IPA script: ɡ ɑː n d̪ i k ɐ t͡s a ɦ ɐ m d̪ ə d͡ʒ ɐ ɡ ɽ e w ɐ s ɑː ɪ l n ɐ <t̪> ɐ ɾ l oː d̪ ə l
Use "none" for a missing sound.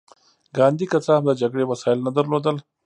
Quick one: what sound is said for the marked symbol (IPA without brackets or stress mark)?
d̪